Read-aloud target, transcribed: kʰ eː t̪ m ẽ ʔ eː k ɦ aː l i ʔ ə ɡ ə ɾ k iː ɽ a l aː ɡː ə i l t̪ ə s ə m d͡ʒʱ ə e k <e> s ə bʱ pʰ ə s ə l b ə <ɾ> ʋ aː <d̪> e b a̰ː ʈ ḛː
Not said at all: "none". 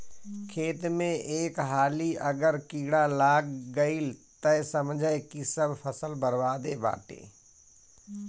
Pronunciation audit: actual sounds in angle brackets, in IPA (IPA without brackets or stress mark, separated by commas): i, ɾ, d̪